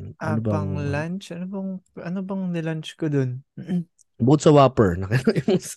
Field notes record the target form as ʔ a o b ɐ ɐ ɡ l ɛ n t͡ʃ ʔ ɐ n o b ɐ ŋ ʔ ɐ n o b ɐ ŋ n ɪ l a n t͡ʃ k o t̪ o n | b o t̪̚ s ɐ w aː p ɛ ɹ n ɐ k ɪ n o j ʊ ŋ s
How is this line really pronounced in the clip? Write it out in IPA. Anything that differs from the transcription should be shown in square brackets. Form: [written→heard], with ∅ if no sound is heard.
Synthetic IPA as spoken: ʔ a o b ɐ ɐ [ɡ→ŋ] l [ɛ→a] n t͡ʃ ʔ ɐ n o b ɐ ŋ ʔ ɐ n o b ɐ ŋ n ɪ l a n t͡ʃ k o [t̪→d̪] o n | b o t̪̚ s ɐ w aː p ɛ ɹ n ɐ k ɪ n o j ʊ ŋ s